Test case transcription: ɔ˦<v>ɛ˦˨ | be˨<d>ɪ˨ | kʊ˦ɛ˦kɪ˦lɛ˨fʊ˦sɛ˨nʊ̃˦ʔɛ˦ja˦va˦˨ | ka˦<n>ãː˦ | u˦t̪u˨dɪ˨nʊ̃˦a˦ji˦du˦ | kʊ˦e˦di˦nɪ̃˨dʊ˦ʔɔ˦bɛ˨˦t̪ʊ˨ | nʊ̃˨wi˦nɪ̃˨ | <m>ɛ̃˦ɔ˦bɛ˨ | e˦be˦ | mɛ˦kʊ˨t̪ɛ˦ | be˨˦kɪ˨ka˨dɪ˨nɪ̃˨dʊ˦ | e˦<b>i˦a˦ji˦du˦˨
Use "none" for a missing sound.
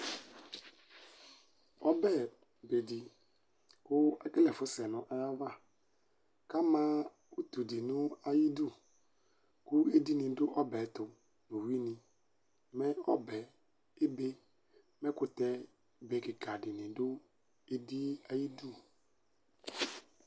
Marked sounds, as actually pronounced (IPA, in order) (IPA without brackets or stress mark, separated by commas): b, d, m, m, d